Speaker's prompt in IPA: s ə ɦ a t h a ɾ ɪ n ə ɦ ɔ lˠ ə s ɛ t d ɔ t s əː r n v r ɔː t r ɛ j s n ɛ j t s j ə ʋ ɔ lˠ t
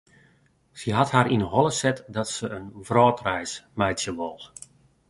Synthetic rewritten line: s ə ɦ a t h a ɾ i n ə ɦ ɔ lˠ ə s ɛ t d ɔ t s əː n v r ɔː t r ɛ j s m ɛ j t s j ə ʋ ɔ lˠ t